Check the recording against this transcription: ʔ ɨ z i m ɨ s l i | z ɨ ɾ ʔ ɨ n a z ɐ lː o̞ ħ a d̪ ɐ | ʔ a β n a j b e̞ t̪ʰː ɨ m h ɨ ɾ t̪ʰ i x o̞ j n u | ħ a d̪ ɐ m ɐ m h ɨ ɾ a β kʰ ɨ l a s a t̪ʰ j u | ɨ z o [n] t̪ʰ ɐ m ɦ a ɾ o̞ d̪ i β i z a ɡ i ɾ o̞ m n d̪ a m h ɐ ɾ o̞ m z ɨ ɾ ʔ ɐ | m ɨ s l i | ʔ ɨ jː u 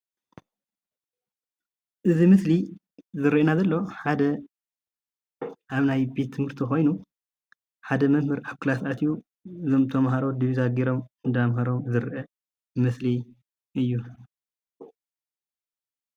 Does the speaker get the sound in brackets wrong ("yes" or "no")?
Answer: yes